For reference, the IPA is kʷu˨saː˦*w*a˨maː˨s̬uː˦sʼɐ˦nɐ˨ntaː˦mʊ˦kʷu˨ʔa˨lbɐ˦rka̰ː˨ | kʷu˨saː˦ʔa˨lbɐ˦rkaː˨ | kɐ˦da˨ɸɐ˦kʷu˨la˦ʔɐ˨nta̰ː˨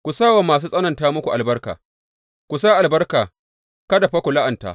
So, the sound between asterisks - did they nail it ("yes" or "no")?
yes